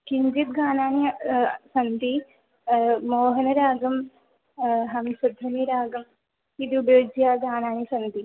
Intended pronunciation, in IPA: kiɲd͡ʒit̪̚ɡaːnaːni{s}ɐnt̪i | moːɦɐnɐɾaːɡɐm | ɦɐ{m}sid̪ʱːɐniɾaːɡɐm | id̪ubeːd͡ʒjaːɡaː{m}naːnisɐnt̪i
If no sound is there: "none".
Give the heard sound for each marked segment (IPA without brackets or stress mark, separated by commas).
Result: s, m, none